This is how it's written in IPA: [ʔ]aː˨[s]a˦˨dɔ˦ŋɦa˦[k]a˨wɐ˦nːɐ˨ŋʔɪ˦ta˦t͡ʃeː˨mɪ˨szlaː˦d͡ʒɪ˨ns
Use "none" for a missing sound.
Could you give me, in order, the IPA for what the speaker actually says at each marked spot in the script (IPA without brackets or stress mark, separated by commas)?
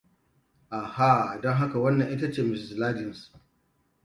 ʔ, h, k